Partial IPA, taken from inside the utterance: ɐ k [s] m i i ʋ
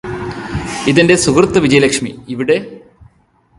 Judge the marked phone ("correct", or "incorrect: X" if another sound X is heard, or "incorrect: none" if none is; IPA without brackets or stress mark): incorrect: ʂ